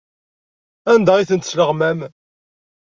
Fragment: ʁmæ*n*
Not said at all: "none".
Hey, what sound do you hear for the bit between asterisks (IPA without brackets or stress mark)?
m